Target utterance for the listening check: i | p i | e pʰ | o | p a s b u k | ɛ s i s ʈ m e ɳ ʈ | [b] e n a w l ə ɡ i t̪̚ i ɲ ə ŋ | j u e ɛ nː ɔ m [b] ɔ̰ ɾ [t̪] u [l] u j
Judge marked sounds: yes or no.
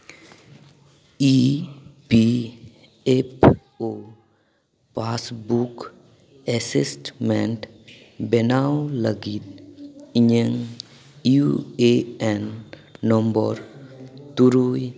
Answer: yes, yes, yes, no

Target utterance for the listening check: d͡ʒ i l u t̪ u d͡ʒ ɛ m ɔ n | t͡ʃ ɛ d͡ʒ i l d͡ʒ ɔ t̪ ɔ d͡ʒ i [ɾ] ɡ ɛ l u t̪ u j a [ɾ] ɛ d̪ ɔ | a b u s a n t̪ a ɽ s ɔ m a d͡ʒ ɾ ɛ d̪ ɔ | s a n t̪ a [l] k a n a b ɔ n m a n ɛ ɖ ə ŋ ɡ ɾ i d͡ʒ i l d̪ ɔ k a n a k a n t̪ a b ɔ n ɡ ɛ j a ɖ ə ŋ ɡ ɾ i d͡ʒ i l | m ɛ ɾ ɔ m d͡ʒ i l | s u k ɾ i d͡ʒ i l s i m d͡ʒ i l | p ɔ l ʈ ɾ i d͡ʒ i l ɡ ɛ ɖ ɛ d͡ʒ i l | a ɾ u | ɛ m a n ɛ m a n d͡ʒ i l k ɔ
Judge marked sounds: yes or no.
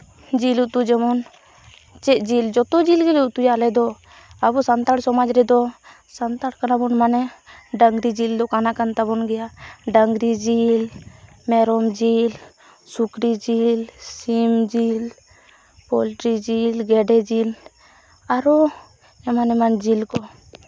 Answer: no, no, no

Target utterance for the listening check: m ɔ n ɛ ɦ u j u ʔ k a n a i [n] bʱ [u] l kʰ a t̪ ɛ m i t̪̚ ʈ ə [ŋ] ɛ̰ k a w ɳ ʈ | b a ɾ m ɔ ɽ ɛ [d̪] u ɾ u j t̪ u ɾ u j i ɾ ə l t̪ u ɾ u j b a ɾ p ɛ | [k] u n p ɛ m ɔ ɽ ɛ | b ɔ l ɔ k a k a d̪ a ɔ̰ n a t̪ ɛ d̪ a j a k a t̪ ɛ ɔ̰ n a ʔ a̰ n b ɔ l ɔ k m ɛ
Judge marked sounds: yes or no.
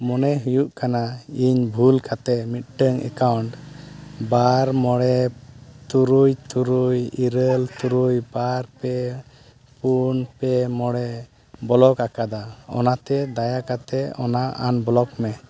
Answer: no, yes, yes, no, no

